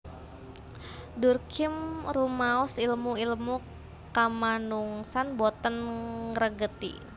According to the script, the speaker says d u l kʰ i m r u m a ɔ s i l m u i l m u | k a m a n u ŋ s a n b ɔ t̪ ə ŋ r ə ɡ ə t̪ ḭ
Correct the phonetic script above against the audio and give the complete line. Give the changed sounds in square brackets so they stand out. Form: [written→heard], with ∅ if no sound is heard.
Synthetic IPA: d u [l→r] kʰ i m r u m a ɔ s i l m u i l m u | k a m a n u ŋ s a n b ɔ t̪ ə [ŋ→n] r ə ɡ ə t̪ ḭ